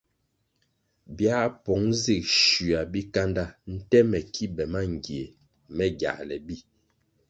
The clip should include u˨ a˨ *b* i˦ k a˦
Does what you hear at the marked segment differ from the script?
no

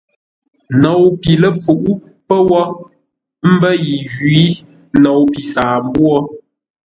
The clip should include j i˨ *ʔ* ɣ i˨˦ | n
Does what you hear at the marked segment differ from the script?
yes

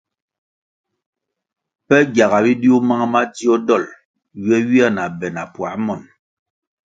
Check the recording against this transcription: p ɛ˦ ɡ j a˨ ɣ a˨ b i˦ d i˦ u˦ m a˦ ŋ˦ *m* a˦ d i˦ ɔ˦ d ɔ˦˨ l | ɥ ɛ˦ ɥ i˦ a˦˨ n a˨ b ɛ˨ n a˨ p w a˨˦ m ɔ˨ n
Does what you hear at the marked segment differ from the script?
no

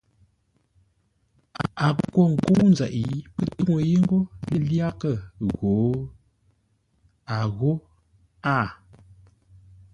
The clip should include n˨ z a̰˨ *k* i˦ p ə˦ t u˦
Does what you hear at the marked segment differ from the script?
yes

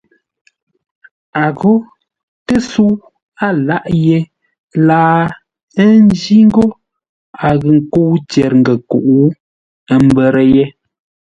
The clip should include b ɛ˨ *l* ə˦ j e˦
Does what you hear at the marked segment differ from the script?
yes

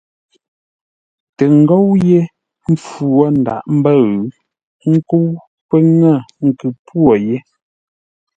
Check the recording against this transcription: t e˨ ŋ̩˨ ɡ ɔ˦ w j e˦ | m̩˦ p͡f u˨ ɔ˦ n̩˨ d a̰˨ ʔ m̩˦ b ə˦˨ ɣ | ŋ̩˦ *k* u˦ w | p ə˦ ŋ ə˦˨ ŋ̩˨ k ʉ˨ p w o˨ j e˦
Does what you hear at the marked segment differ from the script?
no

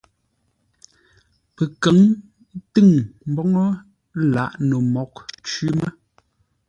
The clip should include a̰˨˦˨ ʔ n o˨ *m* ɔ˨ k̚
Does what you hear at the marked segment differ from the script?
no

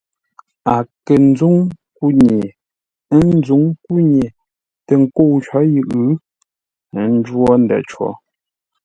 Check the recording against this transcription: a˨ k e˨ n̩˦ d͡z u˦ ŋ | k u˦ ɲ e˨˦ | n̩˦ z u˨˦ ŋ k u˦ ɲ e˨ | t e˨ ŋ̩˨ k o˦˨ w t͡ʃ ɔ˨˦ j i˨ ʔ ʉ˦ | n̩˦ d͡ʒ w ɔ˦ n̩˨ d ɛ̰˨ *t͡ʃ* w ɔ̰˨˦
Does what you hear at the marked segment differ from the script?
no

